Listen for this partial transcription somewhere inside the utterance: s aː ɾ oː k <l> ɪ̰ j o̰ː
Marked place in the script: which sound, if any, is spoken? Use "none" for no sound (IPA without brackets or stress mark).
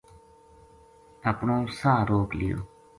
l